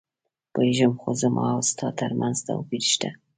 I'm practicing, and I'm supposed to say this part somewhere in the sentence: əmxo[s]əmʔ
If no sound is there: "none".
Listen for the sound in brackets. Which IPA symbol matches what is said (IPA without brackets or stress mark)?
z